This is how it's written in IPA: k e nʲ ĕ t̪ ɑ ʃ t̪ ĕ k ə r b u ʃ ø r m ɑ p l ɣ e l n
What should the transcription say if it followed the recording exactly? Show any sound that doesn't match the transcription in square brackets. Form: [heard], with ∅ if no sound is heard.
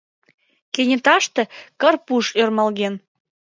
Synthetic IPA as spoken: k e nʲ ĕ t̪ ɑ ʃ t̪ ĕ k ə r [p] u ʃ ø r m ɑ [∅] l ɣ e [∅] n

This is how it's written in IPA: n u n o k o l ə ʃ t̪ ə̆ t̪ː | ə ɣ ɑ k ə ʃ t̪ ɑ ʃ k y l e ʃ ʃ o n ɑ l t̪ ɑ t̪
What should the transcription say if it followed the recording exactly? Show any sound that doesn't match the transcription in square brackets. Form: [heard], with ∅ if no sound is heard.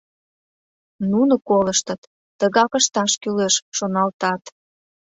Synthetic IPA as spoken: n u n o k o l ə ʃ t̪ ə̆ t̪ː | ə ɣ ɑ k ə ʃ t̪ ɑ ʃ k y l e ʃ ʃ o n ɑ l t̪ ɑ t̪

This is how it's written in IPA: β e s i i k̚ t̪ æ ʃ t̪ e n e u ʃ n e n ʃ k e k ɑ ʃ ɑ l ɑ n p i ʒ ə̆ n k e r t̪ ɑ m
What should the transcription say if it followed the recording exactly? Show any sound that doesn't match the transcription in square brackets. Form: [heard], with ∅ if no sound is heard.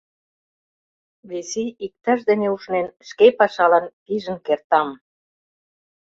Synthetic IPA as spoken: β e s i i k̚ t̪ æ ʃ [d̪] e n e u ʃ n e n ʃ k e [p] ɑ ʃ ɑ l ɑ n p i ʒ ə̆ n k e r t̪ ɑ m

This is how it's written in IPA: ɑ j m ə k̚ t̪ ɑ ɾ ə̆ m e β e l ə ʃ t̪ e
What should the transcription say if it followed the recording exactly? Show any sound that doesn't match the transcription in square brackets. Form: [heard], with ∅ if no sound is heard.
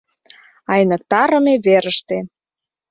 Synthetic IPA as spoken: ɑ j [n] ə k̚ t̪ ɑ ɾ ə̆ m e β e [ɾ] ə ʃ t̪ e

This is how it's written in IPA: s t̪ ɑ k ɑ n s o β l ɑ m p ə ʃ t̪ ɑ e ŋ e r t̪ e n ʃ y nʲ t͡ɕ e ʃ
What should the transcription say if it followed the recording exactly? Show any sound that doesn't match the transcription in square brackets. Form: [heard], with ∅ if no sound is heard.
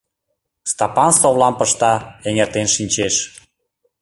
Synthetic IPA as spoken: s t̪ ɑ [p] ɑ n s o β l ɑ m p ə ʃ t̪ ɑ e ŋ e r t̪ e n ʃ [i] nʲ t͡ɕ e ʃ

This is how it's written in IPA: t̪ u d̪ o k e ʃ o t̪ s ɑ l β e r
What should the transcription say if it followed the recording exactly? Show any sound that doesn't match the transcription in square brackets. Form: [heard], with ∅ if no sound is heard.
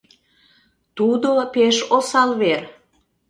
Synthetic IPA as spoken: t̪ u d̪ o [p] e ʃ o [∅] s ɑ l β e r

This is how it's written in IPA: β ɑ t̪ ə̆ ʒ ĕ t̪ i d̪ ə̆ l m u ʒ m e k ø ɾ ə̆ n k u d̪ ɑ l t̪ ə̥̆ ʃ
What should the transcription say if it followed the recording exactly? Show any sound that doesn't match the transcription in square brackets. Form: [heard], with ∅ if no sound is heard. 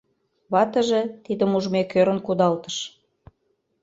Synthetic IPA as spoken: β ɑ t̪ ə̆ ʒ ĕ t̪ i d̪ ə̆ [∅] m u ʒ m e k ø ɾ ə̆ n k u d̪ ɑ l t̪ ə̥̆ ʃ

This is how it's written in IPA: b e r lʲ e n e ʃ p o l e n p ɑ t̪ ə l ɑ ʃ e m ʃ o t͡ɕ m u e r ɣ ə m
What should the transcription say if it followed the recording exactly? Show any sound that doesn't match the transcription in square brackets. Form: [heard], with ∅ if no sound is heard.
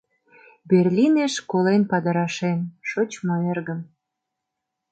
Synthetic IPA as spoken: b e r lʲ [i] n e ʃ [k] o l e n p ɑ [d̪] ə [ɾ] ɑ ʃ e [n] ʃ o t͡ɕ m [o] e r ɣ ə m

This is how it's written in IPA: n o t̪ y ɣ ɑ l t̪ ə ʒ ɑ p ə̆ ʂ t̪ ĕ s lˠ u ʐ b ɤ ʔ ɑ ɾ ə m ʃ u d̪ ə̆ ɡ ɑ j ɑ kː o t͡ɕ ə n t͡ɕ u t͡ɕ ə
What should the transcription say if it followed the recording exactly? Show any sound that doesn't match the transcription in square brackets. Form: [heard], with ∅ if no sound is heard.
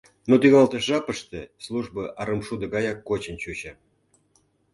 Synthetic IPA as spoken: n o t̪ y ɣ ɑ l t̪ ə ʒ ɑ p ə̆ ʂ t̪ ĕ s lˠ u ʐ b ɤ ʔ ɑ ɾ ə m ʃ u d̪ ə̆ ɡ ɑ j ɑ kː o t͡ɕ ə n t͡ɕ u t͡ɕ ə

